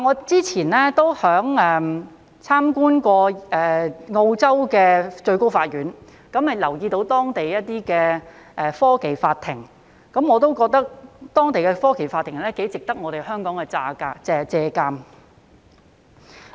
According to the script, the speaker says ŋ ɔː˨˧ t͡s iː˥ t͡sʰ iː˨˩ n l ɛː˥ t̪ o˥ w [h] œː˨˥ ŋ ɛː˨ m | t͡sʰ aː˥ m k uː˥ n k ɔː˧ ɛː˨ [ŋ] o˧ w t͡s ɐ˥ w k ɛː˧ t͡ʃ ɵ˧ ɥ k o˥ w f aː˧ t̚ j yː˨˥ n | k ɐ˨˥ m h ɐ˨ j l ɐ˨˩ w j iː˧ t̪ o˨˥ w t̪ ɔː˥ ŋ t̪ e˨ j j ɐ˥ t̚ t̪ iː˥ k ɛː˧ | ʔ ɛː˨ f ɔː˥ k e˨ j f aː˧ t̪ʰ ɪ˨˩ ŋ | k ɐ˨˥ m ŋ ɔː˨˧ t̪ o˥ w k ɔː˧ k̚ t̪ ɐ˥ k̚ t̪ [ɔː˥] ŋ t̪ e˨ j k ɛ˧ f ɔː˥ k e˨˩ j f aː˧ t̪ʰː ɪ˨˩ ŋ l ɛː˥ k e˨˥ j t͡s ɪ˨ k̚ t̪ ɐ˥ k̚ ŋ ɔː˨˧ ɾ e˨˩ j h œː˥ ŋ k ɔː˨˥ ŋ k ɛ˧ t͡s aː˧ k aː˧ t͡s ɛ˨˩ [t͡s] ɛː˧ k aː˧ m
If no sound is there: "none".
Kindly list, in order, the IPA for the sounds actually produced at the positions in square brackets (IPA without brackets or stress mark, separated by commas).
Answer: h, ŋ, ɔː˥, t͡s